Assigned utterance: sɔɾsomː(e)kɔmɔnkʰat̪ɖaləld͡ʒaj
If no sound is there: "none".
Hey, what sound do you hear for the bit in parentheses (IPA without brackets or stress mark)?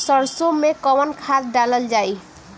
e